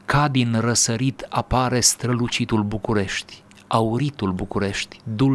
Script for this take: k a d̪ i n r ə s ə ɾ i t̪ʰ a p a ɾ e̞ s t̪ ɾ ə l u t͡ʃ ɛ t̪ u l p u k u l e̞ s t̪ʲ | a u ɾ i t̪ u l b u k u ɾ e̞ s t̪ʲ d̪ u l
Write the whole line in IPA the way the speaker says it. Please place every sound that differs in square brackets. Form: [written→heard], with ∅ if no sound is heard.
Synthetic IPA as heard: k a d̪ i n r ə s ə ɾ i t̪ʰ a p a ɾ e̞ s t̪ ɾ ə l u t͡ʃ [ɛ→i] t̪ u l [p→b] u k u [l→ɾ] e̞ [s→ʃ] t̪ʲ | a u ɾ i t̪ u l b u k u ɾ e̞ [s→ʃ] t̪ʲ d̪ u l